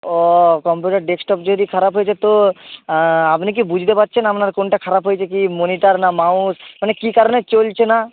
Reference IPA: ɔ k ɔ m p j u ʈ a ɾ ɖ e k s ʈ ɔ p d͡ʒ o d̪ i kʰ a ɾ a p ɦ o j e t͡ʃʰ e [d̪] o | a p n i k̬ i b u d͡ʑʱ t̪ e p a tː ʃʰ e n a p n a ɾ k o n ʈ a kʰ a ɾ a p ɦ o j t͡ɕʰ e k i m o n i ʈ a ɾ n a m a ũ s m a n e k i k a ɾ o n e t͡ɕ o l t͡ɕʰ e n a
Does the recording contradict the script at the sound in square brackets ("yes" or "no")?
yes